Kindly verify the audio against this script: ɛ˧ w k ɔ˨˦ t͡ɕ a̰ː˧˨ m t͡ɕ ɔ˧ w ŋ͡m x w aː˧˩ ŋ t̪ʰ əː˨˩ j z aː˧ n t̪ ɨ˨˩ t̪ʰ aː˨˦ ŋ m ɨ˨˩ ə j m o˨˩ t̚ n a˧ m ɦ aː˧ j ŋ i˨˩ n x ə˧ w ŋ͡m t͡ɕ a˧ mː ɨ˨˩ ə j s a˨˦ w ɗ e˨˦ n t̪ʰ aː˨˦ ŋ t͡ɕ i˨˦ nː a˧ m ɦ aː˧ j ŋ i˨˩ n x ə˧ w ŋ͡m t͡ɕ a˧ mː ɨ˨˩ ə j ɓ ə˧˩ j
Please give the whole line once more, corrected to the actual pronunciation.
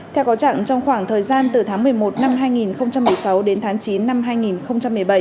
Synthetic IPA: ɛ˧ w k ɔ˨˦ t͡ɕ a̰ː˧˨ ŋ t͡ɕ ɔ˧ w ŋ͡m x w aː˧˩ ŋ t̪ʰ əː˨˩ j z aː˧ n t̪ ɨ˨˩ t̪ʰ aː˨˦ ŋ m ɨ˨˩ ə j m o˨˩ t̚ n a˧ m ɦ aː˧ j ŋ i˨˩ n x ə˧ w ŋ͡m t͡ɕ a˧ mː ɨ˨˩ ə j s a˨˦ w ɗ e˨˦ n t̪ʰ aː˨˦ ŋ t͡ɕ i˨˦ nː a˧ m ɦ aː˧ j ŋ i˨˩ n x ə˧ w ŋ͡m t͡ɕ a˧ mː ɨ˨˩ ə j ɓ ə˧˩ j